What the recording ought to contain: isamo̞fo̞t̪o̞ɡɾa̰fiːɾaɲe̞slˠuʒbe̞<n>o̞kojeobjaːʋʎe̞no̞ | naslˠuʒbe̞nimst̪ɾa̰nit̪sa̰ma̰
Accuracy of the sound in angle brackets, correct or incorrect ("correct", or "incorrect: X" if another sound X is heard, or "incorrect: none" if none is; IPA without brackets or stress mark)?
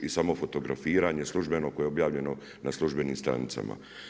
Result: correct